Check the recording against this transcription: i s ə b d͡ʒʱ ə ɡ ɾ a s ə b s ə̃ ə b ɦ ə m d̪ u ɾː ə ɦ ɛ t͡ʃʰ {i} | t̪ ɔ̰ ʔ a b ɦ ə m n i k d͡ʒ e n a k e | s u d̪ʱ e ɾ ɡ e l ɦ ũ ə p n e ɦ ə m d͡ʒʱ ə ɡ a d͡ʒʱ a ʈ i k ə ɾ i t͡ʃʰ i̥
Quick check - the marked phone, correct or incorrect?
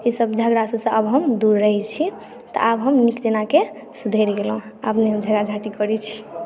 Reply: correct